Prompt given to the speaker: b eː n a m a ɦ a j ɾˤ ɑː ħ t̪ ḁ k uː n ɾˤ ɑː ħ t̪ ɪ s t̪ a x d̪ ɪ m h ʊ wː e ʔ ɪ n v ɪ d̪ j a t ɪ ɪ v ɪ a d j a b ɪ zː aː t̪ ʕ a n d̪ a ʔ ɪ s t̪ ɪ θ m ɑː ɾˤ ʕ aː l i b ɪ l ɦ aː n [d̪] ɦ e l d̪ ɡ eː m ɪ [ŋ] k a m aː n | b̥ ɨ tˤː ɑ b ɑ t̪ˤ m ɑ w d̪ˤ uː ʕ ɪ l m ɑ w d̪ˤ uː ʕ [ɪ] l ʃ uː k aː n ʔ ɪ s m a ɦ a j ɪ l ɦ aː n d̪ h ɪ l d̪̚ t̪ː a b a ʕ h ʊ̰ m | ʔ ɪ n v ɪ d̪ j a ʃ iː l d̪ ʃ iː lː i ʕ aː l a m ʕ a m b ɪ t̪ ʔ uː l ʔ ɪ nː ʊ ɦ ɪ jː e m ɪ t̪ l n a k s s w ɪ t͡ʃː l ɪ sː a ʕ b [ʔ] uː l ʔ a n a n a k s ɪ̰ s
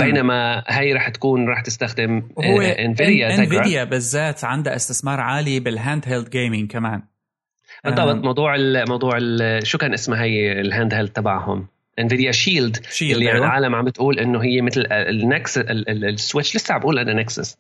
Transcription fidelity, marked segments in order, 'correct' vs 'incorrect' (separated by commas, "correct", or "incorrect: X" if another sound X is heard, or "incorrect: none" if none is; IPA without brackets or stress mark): correct, correct, correct, correct